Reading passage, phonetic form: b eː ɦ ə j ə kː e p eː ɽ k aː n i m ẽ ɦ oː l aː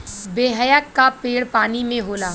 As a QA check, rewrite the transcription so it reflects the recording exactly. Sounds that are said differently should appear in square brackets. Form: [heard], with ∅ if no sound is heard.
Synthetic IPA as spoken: b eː ɦ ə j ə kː [a] p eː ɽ [p] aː n i m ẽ ɦ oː l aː